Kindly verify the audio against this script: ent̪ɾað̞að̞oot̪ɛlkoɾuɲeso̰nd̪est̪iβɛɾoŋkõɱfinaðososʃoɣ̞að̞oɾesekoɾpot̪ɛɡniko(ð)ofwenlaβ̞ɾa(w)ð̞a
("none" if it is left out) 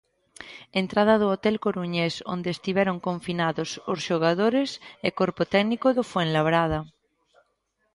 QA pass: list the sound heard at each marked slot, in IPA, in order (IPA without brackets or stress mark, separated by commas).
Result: ð, none